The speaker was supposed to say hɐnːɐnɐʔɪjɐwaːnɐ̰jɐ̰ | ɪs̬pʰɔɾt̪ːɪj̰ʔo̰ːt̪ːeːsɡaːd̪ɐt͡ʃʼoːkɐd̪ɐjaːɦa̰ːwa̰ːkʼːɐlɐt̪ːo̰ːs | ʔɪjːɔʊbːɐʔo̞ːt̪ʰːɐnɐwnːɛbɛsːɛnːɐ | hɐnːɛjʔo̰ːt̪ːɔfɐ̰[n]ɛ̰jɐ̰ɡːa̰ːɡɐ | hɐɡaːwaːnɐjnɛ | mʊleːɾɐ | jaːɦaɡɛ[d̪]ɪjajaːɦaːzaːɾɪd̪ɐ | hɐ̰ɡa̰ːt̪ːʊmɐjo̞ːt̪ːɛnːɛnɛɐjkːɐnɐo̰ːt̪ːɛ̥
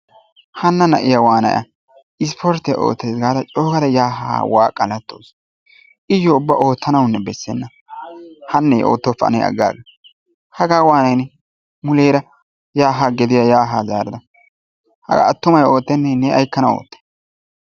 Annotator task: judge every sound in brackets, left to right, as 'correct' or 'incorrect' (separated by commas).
correct, correct